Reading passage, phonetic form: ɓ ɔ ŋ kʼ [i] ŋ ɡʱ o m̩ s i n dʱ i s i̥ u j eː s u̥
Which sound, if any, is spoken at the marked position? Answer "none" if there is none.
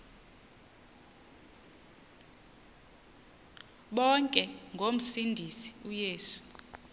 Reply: ɛ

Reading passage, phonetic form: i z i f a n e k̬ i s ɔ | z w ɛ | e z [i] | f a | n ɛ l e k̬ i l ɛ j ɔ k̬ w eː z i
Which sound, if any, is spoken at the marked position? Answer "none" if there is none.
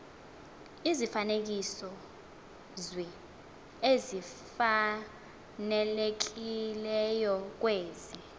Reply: i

